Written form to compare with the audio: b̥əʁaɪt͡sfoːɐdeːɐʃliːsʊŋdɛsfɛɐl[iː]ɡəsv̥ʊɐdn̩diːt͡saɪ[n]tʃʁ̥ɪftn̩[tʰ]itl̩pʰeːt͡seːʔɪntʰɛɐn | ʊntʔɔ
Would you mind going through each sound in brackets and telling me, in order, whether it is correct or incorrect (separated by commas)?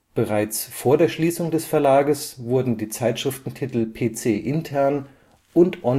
incorrect, incorrect, correct